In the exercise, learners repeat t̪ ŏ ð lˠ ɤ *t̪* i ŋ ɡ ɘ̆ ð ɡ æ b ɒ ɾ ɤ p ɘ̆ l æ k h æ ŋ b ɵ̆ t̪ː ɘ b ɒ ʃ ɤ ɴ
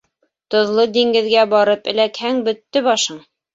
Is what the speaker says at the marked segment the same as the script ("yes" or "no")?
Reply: no